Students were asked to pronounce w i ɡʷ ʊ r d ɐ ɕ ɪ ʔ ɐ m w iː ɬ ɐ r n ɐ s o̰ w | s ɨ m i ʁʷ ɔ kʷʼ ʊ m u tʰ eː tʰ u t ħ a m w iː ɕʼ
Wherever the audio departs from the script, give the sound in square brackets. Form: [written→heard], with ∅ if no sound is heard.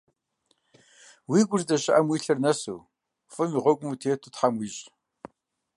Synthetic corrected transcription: w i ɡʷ ʊ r d ɐ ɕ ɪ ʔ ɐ m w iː ɬ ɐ r n ɐ s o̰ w | [s→f] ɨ m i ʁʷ ɔ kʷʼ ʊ m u tʰ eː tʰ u t ħ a m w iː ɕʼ